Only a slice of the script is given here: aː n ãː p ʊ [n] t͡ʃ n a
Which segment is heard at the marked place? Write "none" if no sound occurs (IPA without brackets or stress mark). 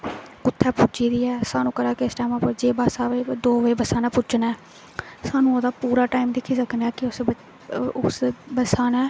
none